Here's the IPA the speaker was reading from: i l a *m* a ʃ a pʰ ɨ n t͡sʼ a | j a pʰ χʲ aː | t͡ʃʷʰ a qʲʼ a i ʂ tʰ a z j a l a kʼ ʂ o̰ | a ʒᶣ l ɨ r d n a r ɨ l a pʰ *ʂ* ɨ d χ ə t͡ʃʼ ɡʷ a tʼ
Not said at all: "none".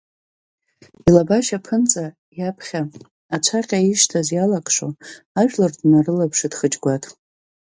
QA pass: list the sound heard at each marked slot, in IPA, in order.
b, ʂ

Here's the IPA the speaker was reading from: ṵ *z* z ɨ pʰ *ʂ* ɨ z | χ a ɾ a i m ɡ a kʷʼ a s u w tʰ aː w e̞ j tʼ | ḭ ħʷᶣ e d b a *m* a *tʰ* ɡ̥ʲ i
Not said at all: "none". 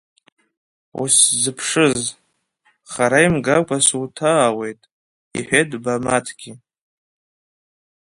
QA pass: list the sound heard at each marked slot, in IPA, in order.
s, ʂ, m, tʰ

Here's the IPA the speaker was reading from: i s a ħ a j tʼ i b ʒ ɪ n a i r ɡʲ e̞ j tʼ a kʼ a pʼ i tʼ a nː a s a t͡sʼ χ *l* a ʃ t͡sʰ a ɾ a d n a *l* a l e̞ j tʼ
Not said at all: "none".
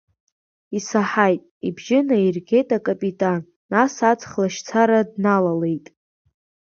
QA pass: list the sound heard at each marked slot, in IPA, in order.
l, l

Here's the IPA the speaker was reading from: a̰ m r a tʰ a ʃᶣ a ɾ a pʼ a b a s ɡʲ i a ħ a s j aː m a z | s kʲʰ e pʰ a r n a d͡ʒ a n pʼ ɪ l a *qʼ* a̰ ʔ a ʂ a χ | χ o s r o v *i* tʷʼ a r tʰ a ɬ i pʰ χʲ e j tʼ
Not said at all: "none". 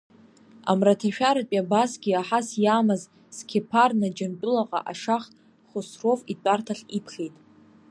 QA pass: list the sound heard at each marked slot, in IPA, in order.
qʼ, i

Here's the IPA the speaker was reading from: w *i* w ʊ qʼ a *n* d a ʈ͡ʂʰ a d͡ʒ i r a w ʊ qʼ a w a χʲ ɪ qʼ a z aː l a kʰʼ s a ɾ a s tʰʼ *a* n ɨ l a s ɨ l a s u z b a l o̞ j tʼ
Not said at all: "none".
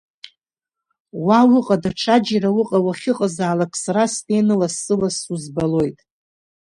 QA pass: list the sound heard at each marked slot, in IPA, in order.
a, none, e

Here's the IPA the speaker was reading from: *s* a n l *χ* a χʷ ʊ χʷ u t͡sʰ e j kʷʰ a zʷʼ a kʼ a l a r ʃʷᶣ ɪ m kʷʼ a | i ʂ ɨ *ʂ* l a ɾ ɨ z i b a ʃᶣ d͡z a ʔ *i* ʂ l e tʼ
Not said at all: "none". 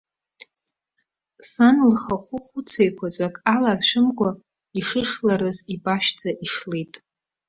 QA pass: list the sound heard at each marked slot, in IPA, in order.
s, χ, ʂ, i

